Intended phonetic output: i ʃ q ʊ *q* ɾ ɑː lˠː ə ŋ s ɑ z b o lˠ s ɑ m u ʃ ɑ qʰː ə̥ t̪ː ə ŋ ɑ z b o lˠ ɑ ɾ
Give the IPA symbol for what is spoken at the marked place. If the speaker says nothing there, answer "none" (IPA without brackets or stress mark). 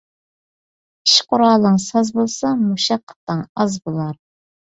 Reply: none